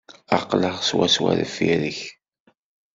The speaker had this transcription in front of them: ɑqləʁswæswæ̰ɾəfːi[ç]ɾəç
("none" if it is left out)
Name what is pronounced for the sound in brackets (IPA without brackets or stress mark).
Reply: none